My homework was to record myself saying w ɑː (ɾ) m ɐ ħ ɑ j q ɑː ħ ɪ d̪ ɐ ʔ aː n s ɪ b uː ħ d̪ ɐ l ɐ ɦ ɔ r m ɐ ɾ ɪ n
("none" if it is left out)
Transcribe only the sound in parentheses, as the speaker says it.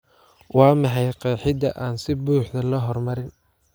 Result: none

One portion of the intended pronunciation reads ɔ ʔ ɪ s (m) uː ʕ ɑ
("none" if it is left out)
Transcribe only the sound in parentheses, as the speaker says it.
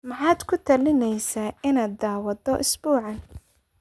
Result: b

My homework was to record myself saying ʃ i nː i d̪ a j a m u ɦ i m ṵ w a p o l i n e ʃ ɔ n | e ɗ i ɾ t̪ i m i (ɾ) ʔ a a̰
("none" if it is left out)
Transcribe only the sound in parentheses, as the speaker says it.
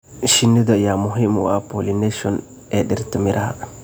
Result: ɾ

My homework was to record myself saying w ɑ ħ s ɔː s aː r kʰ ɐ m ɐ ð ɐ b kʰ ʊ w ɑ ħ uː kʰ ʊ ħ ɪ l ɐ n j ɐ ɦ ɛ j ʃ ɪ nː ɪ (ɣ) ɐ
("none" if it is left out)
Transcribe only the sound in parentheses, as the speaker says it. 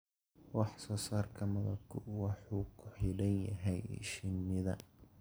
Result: ð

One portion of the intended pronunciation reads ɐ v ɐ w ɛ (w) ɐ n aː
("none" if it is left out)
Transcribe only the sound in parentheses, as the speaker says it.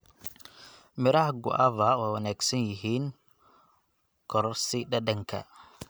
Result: w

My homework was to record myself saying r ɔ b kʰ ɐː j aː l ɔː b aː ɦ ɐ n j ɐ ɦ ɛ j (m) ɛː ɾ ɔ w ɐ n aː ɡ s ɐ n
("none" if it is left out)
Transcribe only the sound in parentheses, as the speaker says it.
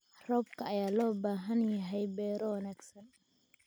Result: b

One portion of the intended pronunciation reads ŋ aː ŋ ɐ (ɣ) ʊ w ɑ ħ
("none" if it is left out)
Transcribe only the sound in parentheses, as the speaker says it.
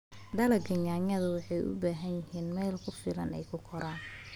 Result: ð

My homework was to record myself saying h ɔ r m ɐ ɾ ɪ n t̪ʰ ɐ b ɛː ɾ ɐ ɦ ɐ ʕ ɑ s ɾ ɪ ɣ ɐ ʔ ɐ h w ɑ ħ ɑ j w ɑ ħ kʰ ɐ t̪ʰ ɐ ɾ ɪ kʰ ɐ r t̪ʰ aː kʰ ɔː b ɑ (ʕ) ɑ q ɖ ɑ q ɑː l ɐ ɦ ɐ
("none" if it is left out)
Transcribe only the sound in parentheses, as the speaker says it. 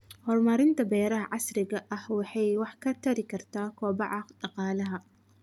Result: ʕ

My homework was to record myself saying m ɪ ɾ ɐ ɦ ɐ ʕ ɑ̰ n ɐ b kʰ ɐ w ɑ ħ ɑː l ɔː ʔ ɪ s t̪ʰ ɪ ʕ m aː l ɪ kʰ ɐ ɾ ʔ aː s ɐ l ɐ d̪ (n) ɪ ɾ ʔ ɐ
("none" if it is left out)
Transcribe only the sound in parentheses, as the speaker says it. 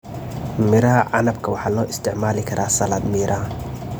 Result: m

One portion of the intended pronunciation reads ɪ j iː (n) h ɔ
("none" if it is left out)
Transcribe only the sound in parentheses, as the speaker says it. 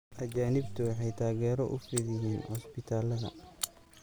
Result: n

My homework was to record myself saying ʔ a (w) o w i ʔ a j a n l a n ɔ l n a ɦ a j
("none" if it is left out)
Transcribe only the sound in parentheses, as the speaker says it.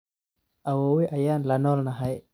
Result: w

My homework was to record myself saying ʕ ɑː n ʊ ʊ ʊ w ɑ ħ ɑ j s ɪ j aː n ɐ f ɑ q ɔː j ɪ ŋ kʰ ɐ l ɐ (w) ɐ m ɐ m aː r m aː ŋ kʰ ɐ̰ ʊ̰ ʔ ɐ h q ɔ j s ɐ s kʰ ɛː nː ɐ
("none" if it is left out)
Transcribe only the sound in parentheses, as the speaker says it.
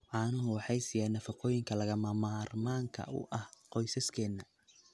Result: ɣ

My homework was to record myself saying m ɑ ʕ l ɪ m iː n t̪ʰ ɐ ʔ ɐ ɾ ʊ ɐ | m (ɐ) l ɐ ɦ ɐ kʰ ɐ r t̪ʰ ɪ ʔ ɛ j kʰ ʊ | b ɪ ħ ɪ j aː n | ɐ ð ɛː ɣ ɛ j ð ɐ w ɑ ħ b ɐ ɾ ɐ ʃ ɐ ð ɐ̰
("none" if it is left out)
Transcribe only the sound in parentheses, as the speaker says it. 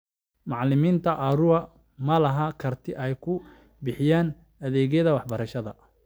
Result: ɐ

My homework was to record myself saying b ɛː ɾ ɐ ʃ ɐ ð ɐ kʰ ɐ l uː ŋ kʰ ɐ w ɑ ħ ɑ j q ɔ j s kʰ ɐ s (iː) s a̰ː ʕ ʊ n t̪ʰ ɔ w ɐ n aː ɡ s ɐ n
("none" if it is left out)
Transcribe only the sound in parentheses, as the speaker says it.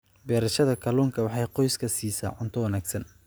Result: iː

